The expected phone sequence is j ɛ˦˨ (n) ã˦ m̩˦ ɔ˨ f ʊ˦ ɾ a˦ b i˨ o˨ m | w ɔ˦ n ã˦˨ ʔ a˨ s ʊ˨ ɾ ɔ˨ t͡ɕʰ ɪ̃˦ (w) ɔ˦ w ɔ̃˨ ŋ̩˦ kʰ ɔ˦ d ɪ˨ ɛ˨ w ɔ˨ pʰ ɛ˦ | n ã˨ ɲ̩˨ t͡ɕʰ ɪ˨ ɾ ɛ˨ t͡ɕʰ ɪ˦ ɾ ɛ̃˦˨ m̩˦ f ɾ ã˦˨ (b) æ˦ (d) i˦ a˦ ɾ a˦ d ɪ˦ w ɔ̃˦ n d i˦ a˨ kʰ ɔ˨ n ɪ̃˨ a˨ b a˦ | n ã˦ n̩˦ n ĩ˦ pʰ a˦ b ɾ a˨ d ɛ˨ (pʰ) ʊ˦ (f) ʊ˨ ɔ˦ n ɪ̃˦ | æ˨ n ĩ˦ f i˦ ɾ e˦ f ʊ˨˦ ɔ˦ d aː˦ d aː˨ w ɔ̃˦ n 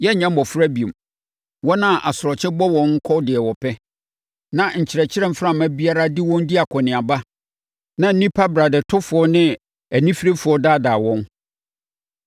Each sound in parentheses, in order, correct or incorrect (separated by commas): incorrect, incorrect, incorrect, incorrect, incorrect, correct